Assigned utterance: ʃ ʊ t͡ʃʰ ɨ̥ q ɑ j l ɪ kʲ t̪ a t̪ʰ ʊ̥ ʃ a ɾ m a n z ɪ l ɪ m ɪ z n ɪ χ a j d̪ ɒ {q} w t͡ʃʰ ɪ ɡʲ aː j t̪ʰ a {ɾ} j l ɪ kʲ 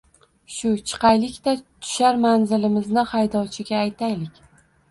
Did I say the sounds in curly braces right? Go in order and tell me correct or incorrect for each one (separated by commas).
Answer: incorrect, incorrect